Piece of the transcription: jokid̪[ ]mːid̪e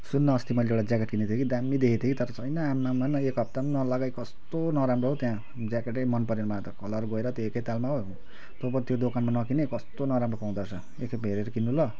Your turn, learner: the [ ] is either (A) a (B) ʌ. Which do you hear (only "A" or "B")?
A